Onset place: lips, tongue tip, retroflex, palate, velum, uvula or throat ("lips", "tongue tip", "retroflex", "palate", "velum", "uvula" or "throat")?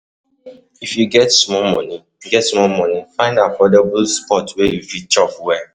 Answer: lips